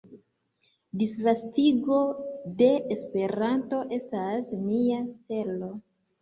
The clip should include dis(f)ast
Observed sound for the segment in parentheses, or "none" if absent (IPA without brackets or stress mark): v